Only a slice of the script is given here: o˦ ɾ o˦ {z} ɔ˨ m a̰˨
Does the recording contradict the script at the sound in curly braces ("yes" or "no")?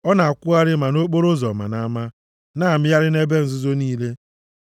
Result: no